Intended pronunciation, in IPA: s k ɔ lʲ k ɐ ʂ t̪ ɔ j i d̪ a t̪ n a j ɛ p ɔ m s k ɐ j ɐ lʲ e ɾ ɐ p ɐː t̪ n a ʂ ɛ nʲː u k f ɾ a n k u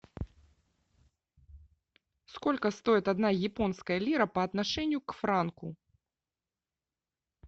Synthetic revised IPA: s k ɔ lʲ k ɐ s t̪ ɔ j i t̪ a d̪ n a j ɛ p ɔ n s k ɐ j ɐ lʲ i ɾ ɐ p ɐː t̪ n a ʂ ɛ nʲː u k f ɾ a n k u

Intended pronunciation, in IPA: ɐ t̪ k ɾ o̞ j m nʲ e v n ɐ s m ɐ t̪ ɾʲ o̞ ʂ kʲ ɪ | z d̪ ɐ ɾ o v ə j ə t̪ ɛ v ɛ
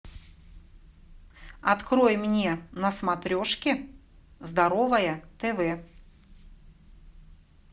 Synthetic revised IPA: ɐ t̪ k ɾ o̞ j m nʲ e n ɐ s m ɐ t̪ ɾʲ o̞ ʂ kʲ ɪ | z d̪ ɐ ɾ o v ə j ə t̪ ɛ v ɛ

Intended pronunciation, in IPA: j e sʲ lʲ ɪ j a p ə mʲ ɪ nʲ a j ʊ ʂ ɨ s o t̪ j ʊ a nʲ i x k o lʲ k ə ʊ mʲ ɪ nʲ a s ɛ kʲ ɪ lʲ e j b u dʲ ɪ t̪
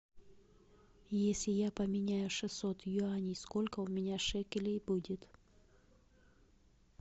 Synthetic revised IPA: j e sʲ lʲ ɪ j a p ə mʲ ɪ nʲ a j ʊ ʂ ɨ s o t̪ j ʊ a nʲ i s k o lʲ k ə ʊ mʲ ɪ nʲ a ʂ ɛ kʲ ɪ lʲ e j b u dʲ ɪ t̪

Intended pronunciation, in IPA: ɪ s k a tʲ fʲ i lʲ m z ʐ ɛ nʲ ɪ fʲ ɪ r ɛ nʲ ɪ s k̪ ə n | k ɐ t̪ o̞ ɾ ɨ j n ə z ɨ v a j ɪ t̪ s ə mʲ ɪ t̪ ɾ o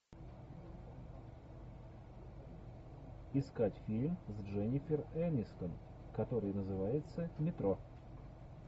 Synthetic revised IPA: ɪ s k a tʲ fʲ i lʲ m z ʐ ɛ nʲ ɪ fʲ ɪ r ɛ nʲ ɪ s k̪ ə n | k ɐ t̪ o̞ ɾ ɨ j n ə z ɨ v a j ɪ t̪ s ə mʲ ɪ t̪ ɾ o

